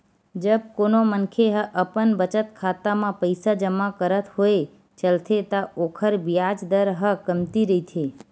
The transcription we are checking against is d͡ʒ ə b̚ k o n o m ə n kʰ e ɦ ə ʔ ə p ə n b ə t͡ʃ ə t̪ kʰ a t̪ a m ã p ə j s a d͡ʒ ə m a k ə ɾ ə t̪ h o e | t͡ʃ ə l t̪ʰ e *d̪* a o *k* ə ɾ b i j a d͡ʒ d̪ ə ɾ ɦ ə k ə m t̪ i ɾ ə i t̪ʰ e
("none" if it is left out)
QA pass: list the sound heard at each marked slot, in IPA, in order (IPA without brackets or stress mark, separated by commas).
t̪, kʰ